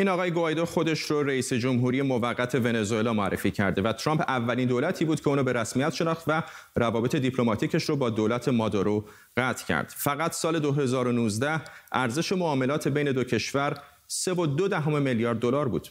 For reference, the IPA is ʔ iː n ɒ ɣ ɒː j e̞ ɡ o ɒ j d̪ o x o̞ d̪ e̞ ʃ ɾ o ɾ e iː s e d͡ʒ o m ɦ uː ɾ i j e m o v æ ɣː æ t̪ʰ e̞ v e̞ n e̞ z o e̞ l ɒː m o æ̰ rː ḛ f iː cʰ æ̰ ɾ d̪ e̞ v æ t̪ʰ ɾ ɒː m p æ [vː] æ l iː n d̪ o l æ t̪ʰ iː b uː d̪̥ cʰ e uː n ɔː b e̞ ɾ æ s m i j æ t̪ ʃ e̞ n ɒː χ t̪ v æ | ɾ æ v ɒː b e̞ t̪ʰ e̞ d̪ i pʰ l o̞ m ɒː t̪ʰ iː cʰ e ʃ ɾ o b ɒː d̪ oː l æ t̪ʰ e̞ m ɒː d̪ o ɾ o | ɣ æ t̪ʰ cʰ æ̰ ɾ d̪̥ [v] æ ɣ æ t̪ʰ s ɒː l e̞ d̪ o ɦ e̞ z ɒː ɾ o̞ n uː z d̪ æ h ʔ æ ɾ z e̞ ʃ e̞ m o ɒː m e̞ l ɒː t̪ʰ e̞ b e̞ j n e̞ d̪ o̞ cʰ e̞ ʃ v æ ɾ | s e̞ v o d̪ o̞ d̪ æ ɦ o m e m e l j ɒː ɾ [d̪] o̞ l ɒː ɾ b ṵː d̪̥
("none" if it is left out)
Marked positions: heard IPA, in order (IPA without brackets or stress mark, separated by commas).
vː, f, d̪ː